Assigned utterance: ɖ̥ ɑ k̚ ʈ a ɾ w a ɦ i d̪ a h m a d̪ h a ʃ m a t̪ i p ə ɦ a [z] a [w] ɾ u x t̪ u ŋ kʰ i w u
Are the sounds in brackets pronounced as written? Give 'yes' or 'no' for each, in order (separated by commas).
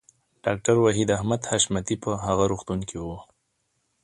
no, no